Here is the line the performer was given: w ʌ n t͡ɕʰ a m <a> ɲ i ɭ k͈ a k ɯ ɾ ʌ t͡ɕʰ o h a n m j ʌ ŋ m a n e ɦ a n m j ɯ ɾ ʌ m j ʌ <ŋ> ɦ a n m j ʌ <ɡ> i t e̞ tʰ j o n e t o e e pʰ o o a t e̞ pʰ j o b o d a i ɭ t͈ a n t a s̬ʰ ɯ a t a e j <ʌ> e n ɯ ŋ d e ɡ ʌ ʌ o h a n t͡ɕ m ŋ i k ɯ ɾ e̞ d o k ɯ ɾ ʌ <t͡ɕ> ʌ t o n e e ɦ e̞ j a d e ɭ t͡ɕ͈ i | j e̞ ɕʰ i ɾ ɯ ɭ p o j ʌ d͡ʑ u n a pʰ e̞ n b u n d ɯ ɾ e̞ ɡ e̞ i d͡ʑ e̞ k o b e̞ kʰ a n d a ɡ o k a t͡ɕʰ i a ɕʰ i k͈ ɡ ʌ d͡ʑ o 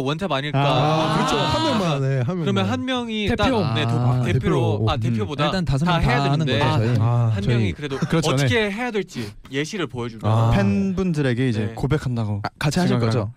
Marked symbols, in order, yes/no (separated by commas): yes, no, no, no, yes